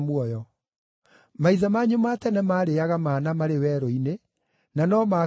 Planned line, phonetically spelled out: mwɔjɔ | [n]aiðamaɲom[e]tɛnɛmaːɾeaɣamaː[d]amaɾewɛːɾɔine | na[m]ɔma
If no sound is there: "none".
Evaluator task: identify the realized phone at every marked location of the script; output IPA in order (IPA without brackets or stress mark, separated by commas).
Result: m, a, n, n